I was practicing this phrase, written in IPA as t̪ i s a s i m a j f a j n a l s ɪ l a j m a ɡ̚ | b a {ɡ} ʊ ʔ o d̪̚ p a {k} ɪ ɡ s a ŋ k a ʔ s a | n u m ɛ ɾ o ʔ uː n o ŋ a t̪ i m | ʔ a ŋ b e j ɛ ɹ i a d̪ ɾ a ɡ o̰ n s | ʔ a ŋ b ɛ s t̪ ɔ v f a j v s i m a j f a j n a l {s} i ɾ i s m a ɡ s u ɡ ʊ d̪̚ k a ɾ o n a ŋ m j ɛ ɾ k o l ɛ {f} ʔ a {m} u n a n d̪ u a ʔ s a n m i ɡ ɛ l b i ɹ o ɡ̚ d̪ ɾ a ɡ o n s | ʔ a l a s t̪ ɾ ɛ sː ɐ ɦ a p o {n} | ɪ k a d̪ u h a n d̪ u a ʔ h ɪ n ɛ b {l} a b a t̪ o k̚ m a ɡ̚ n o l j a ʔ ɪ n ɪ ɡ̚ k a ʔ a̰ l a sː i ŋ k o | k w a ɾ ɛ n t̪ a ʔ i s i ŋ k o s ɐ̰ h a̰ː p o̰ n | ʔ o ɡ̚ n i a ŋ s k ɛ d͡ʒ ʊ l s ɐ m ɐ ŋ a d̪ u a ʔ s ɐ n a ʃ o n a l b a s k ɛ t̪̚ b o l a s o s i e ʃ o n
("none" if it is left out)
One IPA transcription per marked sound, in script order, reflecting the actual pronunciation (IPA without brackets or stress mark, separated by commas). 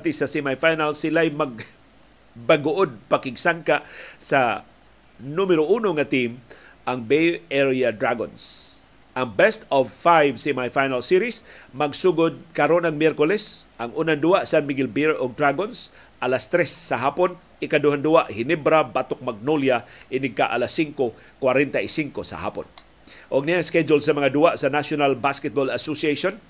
ɡ, k, s, s, ŋ, n, ɾ